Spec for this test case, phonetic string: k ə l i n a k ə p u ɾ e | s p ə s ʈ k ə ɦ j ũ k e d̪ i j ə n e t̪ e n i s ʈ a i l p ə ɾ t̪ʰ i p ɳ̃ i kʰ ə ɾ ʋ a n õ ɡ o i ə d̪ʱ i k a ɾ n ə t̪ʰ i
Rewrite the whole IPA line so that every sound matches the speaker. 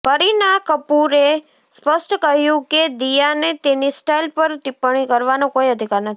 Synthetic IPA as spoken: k ə ɾ i n a k ə p u ɾ e | s p ə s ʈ k ə ɦ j ũ k e d̪ i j a n e t̪ e n i s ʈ a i l p ə ɾ t̪ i p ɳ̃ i k ə ɾ ʋ a n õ k o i ə d̪ʱ i k a ɾ n ə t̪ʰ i